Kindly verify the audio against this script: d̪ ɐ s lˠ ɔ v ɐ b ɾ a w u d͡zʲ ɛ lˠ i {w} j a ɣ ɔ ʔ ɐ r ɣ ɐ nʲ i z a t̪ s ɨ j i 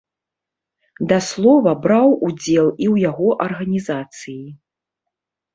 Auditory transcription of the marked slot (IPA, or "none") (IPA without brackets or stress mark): w